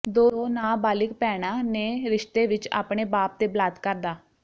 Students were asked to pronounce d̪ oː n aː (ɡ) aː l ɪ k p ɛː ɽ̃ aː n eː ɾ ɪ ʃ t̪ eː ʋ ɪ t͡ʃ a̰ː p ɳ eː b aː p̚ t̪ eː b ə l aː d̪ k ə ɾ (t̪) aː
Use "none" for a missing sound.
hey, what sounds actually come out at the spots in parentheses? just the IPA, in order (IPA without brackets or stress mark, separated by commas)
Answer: b, d̪